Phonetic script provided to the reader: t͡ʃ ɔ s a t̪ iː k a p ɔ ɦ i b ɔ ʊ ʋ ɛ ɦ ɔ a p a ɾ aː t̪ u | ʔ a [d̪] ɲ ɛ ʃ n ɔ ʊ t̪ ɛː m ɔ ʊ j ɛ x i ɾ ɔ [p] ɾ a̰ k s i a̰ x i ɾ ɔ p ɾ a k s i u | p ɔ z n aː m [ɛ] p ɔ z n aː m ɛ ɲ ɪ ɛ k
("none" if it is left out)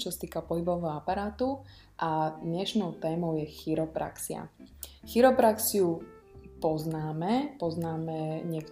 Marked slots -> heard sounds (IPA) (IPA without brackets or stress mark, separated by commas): d̪, p, ɛ